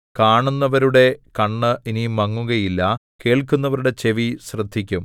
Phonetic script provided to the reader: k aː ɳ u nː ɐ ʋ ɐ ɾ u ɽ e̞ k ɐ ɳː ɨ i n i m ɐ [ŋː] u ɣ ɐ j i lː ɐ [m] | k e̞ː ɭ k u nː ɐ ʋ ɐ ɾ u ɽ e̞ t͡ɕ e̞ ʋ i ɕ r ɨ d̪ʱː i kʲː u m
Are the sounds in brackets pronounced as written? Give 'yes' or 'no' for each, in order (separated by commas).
yes, no